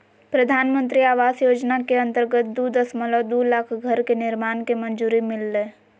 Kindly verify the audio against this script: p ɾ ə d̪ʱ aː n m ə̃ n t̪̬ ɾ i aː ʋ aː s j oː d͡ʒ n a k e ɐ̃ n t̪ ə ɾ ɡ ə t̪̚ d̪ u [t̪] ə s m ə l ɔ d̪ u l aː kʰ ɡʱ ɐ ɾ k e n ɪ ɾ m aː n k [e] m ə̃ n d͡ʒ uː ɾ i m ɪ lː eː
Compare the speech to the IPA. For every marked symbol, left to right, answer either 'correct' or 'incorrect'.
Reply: incorrect, correct

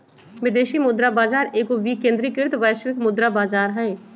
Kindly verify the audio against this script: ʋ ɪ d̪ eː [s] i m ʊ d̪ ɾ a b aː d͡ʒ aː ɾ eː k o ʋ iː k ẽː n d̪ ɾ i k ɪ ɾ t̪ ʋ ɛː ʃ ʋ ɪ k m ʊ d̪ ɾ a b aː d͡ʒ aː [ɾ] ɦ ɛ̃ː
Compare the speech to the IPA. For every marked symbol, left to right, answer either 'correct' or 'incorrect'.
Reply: incorrect, correct

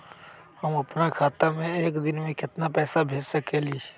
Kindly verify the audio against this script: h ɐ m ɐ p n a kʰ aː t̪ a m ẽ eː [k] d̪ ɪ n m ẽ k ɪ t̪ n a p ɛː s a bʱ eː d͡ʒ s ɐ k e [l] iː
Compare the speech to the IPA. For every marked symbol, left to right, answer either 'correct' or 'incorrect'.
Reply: correct, correct

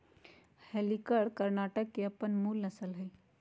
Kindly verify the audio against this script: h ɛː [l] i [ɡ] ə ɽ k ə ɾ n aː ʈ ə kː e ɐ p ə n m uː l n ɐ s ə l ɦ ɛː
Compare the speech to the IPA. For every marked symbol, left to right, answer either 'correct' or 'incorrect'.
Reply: correct, incorrect

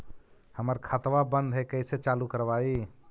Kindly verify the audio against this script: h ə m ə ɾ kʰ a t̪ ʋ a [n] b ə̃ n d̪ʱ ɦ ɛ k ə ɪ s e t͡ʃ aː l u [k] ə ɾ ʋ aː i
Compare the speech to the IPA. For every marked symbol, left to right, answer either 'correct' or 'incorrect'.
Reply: incorrect, correct

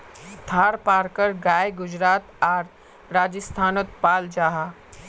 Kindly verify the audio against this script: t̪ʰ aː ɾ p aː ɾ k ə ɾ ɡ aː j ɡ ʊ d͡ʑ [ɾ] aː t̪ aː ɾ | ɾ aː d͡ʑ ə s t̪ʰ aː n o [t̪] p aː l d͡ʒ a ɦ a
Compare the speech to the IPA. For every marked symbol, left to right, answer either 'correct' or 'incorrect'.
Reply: correct, correct

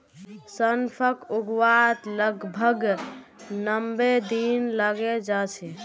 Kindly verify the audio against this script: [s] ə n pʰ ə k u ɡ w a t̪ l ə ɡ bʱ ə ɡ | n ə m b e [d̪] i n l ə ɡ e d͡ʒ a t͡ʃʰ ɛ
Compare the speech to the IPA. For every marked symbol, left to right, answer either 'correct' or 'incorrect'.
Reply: correct, correct

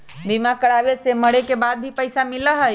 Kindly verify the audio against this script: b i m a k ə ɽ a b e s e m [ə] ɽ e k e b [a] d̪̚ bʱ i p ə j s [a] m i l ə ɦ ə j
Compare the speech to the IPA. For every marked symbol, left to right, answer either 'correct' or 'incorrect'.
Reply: correct, correct, correct

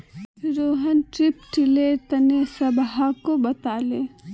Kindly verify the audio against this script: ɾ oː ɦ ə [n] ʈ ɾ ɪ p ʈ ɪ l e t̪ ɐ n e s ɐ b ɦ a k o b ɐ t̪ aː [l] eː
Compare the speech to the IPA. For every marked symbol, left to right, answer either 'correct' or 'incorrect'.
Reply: correct, correct

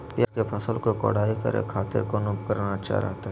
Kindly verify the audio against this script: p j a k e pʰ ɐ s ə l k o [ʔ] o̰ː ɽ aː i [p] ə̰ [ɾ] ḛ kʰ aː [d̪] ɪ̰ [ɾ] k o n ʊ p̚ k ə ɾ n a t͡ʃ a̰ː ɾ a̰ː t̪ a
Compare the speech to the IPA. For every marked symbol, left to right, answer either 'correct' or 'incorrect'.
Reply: incorrect, incorrect, correct, incorrect, correct

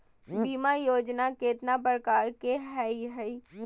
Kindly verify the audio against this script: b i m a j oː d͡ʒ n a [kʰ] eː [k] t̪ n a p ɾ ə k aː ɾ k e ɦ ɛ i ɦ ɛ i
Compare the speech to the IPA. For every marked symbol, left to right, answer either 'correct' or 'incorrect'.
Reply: incorrect, incorrect

